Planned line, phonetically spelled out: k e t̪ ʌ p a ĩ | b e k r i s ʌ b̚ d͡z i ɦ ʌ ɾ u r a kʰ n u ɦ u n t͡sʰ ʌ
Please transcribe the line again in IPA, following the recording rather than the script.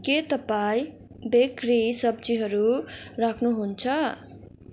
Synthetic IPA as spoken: k e t̪ ʌ p a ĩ | b e k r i s ʌ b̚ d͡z i ɦ ʌ ɾ u r a kʰ n u ɦ u n t͡sʰ ʌ